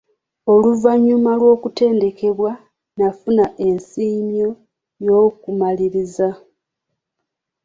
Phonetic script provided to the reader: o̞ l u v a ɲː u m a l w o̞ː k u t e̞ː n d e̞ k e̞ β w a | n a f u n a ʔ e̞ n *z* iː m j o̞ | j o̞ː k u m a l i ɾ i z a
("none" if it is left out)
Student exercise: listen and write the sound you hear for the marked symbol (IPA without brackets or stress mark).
s